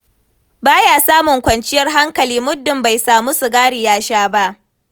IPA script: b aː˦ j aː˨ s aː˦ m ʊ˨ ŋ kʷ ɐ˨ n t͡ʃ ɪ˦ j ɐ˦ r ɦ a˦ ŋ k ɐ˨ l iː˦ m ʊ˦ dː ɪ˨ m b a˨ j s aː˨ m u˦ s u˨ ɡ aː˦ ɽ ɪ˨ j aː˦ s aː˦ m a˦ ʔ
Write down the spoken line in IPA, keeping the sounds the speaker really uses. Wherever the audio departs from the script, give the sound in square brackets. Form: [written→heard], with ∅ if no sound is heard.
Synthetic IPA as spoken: b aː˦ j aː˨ s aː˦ m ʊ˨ ŋ kʷ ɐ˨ n t͡ʃ ɪ˦ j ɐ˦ r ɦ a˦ ŋ k ɐ˨ l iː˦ m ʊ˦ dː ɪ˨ m b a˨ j s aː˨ m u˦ s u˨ ɡ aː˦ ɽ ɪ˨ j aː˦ [s→ʃ] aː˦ [m→b] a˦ ʔ